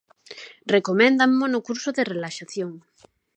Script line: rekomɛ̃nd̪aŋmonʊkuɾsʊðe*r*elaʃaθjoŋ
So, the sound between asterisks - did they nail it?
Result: yes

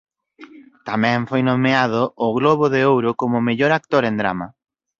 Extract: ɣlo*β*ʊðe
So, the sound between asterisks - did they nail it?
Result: yes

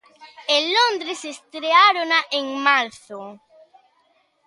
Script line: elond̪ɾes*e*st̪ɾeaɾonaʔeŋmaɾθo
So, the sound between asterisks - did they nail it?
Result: yes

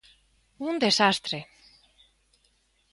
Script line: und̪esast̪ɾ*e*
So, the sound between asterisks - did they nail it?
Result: yes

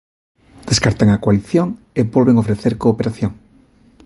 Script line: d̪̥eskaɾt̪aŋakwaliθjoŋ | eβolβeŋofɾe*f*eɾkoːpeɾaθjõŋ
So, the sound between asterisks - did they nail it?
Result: no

